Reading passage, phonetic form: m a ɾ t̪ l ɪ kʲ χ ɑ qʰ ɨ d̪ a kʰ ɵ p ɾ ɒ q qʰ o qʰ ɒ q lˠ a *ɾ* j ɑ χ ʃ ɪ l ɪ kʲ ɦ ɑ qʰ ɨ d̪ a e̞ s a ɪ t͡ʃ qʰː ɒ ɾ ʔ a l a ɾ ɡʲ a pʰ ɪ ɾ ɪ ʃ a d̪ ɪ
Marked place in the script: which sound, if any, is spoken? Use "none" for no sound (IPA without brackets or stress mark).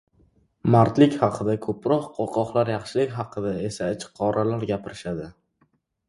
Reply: ɾ